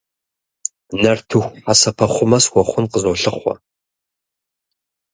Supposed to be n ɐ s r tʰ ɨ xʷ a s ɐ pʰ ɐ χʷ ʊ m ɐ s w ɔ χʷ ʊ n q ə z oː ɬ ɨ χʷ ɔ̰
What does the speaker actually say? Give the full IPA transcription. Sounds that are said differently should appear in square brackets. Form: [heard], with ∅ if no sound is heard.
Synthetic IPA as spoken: n ɐ [∅] r tʰ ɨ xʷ a s ɐ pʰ ɐ χʷ ʊ m ɐ s w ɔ χʷ ʊ n q ə z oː ɬ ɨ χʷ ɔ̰

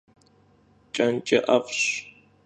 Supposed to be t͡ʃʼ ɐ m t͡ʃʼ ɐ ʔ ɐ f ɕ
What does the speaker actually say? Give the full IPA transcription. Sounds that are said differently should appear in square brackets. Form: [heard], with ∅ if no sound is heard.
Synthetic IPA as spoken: t͡ʃʼ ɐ [n] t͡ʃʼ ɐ ʔ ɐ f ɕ

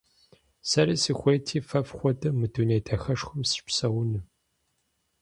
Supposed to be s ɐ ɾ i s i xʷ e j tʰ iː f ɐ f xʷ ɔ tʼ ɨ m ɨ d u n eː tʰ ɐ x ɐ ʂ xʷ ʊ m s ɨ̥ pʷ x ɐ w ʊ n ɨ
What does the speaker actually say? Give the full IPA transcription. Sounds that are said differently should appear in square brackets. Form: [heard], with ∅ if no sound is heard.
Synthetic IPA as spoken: s ɐ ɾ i s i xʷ e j tʰ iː f ɐ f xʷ ɔ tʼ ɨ m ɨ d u n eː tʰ ɐ x ɐ ʂ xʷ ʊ m s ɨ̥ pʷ [s] ɐ w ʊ n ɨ

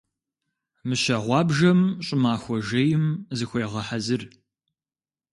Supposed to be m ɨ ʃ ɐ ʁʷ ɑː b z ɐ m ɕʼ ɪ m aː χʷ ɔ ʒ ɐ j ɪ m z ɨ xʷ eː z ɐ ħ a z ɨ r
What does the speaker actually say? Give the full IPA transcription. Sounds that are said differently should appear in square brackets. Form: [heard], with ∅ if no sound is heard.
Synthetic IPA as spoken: m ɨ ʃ ɐ ʁʷ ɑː b [ʒ] ɐ m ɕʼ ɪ m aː [xʷ] ɔ ʒ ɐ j ɪ m z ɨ xʷ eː [ʁ] ɐ ħ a z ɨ r

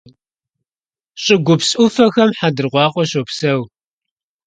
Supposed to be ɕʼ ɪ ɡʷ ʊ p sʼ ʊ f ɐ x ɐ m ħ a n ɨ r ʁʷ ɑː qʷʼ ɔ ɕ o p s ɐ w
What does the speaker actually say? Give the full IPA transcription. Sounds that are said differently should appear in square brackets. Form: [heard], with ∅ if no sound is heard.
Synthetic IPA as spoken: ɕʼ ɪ ɡʷ ʊ p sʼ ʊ f ɐ x ɐ m ħ a [d] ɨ r ʁʷ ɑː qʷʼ ɔ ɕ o p s ɐ w

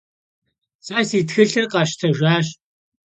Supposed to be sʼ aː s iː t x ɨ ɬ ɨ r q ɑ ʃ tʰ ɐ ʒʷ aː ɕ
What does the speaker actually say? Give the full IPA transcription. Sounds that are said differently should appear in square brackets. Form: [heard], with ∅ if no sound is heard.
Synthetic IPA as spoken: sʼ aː s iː t x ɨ ɬ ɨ r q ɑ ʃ tʰ ɐ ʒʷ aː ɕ

